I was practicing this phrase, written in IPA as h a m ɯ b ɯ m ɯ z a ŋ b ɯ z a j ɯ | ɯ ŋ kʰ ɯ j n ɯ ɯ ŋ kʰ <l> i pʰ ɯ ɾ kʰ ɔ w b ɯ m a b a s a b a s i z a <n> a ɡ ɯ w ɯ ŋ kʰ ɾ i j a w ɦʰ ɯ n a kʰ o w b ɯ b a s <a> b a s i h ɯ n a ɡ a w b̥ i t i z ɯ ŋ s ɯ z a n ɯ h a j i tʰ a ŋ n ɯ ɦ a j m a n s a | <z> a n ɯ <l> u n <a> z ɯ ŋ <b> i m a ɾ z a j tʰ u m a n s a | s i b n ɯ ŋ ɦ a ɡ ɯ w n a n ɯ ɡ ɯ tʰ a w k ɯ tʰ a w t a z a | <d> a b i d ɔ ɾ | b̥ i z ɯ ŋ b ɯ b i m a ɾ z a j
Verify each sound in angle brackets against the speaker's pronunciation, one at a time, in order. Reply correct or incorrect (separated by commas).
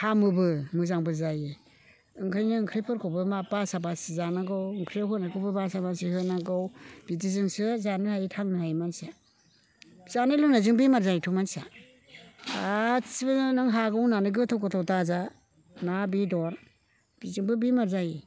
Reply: incorrect, correct, correct, correct, correct, correct, correct, incorrect